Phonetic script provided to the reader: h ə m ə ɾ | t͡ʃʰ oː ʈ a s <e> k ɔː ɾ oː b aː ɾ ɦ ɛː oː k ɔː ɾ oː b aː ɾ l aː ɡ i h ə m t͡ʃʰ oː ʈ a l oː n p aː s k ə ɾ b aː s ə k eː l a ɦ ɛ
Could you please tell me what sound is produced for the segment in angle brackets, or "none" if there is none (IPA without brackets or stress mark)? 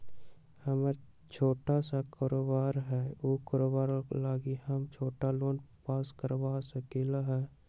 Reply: a